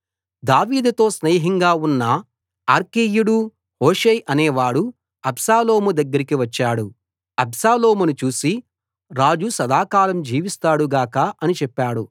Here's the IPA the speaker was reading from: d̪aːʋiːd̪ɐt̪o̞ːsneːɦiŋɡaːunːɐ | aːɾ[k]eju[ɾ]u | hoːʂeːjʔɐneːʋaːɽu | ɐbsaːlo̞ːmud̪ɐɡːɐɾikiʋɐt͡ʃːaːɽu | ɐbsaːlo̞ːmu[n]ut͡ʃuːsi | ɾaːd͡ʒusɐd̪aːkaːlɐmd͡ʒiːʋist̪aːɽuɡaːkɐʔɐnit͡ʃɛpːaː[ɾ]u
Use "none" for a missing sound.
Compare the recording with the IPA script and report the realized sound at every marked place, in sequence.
k, ɽ, n, ɽ

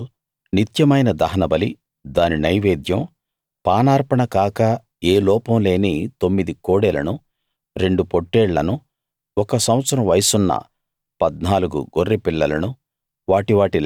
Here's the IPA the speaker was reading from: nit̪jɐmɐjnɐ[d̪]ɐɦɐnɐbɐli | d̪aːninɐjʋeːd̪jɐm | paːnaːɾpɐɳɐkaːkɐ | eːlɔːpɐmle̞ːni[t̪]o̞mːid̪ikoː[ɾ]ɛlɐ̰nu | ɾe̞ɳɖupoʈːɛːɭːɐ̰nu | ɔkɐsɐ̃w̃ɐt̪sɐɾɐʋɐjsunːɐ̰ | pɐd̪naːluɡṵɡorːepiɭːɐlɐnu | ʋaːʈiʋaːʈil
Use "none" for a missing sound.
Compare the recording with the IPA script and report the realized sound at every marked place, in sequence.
d̪, t̪, ɽ

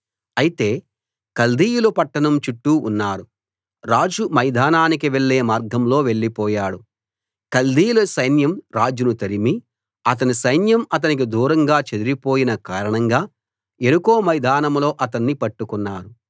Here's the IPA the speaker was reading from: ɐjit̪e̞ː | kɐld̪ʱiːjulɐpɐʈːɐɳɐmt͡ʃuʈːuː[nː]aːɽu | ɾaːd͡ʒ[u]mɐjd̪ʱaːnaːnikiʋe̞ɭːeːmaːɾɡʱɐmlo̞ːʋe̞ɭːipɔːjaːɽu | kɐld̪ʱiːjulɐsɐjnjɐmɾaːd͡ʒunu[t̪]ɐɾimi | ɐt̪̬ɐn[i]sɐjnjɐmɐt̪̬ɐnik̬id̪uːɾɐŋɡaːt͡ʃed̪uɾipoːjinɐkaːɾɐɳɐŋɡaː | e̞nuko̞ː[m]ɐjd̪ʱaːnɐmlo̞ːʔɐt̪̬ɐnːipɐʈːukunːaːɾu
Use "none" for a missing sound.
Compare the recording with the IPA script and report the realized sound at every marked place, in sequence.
nː, u, t̪, i, m

